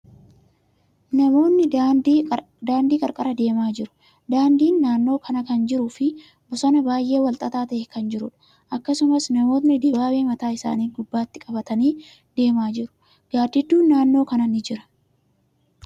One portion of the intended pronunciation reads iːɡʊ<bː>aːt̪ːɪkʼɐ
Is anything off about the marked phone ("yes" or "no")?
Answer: no